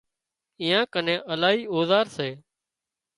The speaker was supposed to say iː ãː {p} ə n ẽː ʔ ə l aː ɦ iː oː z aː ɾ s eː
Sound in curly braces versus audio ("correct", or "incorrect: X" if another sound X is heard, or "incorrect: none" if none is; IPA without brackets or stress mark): incorrect: k